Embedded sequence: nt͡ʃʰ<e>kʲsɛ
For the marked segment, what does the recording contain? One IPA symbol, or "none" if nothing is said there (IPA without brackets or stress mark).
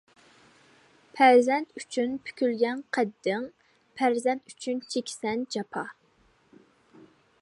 e